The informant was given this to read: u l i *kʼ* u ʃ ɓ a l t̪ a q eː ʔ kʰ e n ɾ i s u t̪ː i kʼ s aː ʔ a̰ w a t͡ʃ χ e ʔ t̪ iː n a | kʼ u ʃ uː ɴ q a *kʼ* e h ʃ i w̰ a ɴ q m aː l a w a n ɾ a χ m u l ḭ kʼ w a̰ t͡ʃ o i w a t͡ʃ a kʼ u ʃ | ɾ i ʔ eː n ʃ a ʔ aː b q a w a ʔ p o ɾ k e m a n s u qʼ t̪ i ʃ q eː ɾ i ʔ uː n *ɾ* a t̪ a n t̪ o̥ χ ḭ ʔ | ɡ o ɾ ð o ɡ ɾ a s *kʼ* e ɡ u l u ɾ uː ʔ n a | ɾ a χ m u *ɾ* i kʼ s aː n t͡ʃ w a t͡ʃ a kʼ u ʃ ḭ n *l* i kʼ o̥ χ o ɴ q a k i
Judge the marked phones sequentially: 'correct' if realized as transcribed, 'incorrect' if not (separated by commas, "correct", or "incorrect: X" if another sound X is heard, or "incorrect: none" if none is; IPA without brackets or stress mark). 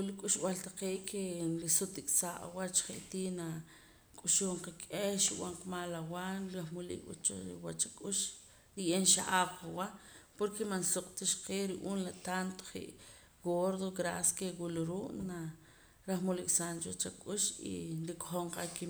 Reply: correct, correct, incorrect: l, incorrect: k, incorrect: l, incorrect: ɾ